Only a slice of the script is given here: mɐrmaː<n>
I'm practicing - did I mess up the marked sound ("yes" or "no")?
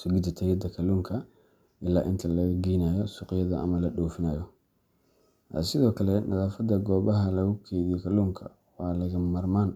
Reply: no